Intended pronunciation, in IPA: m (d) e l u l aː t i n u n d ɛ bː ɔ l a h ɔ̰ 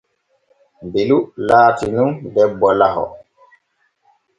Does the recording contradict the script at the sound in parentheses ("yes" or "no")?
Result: yes